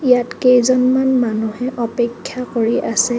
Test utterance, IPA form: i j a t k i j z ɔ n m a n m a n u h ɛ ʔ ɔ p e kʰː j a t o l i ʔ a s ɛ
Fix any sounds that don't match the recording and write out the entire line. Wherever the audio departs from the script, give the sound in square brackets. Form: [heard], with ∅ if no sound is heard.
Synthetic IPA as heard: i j a t k [e] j z ɔ n m a n m a n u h ɛ ʔ ɔ p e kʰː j a [k] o [ɹ] i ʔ a s ɛ